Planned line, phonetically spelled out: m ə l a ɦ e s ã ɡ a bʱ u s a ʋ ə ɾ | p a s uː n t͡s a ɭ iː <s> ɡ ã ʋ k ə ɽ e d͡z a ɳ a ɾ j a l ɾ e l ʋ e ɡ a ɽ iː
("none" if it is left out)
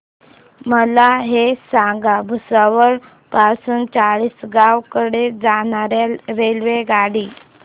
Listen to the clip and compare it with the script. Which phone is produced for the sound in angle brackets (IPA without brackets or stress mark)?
s